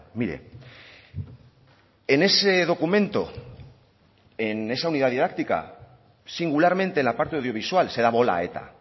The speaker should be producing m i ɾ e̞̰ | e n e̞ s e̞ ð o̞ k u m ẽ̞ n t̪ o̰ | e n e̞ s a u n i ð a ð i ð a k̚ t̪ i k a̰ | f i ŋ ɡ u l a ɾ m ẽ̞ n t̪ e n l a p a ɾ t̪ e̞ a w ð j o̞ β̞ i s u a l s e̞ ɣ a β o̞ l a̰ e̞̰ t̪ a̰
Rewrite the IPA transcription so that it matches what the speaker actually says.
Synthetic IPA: m i ɾ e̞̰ | e n e̞ s e̞ ð o̞ k u m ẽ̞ n t̪ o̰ | e n e̞ s a u n i ð a ð i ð a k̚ t̪ i k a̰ | s i ŋ ɡ u l a ɾ m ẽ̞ n t̪ e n l a p a ɾ t̪ e̞ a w ð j o̞ β̞ i s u a l s e̞ ð a β o̞ l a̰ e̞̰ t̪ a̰